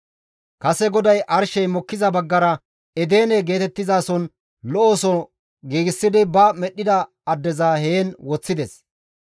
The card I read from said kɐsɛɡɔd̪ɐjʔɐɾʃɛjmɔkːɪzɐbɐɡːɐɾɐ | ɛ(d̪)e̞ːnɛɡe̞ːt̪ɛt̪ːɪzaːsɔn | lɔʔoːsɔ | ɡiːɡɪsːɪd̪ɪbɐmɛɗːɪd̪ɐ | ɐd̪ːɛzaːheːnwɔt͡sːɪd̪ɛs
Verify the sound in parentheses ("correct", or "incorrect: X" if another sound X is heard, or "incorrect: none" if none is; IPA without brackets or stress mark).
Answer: correct